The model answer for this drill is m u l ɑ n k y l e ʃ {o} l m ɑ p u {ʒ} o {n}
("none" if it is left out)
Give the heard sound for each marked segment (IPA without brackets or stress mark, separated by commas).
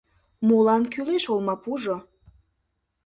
o, ʒ, none